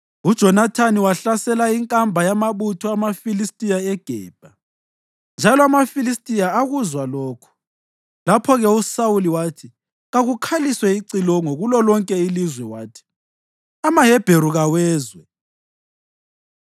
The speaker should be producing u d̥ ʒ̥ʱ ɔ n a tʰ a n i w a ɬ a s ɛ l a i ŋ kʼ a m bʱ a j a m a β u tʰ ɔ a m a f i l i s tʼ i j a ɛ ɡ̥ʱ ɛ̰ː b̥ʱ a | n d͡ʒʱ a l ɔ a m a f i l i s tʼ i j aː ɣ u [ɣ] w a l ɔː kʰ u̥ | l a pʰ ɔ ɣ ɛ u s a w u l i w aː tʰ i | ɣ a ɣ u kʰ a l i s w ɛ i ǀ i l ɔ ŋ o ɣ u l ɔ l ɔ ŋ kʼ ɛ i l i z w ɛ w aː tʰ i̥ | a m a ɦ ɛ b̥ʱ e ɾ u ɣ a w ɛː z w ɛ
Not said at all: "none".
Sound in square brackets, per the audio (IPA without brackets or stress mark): z